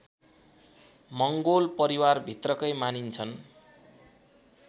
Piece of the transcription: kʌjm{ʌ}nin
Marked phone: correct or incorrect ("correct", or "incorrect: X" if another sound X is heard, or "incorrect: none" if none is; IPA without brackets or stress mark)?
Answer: incorrect: a